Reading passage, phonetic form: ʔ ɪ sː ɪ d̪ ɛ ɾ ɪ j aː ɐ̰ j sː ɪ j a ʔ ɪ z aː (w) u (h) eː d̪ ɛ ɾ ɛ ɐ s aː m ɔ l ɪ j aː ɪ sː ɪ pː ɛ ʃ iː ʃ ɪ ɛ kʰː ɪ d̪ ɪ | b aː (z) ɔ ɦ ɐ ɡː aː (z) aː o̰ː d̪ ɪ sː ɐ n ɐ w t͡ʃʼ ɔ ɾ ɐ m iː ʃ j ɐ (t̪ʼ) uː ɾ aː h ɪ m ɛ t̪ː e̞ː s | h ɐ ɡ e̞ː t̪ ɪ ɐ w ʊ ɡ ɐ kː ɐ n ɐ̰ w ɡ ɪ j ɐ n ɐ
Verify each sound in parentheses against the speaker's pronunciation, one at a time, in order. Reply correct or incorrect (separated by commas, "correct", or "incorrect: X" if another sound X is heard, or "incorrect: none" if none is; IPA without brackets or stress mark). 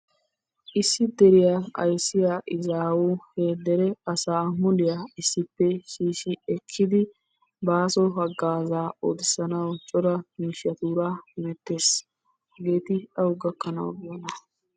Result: correct, correct, incorrect: s, correct, incorrect: t̪